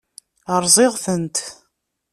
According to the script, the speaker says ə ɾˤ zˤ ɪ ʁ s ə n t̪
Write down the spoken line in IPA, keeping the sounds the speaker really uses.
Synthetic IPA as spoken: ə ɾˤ zˤ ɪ ʁ θ ə n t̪